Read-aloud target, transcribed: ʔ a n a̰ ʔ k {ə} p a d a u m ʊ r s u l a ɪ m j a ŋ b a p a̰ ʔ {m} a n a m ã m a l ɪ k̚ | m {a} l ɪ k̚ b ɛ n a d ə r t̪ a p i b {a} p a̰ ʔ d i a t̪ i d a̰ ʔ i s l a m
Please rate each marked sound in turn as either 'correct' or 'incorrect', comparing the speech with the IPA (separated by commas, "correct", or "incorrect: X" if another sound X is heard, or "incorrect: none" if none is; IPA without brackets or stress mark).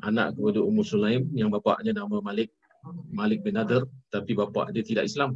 correct, incorrect: ɲ, correct, correct